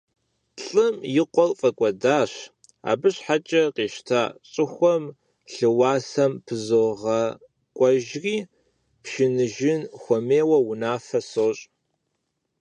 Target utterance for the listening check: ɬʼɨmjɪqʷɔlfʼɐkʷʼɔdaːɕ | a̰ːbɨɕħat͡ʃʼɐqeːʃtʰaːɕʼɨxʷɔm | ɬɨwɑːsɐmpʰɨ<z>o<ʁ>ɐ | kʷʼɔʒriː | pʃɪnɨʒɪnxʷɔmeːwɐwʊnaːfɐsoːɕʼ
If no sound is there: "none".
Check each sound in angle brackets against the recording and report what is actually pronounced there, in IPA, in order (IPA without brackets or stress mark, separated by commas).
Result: z, ʁ